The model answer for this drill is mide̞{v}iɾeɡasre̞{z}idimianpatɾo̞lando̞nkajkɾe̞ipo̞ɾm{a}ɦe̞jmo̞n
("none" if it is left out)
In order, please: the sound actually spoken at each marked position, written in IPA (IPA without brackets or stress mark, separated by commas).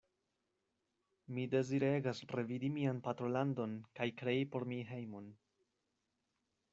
z, v, i